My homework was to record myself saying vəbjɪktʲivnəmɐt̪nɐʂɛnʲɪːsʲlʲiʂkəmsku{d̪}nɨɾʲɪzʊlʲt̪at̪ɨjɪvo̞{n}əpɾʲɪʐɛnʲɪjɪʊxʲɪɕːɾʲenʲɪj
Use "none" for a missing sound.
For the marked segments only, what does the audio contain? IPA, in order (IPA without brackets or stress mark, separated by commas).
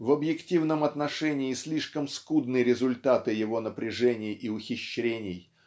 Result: d̪, n